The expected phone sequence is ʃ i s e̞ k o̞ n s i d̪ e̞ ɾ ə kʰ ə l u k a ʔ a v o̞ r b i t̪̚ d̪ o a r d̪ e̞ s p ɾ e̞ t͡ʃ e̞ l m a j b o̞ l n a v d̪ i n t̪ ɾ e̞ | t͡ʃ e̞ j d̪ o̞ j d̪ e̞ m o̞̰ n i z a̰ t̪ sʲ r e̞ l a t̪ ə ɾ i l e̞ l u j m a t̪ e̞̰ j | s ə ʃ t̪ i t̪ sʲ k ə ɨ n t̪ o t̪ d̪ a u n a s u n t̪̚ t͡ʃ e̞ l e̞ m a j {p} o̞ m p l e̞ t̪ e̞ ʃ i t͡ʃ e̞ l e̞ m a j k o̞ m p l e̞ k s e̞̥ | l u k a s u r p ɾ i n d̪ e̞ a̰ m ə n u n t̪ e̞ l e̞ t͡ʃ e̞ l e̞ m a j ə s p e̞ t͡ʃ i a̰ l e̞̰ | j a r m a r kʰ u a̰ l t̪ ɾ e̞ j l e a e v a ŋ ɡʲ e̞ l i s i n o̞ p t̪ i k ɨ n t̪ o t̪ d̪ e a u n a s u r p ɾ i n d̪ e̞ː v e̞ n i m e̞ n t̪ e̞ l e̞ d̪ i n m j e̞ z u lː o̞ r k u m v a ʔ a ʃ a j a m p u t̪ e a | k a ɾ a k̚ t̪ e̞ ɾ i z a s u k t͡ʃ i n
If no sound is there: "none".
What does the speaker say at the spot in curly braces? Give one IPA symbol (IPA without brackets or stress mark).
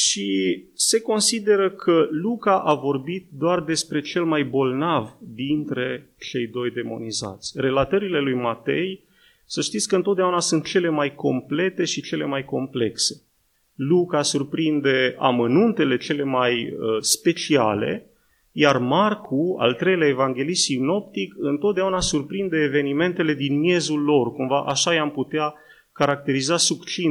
k